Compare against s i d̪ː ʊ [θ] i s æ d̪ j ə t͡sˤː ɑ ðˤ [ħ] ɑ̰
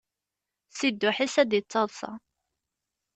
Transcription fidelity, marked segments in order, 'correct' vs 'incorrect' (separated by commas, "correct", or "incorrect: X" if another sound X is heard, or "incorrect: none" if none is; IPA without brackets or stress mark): incorrect: ħ, incorrect: s